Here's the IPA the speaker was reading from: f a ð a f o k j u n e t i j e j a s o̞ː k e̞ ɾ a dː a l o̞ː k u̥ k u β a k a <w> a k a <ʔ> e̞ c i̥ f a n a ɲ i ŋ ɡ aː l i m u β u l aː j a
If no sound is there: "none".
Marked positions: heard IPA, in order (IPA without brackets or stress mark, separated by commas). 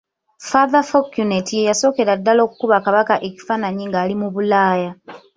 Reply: β, ʔ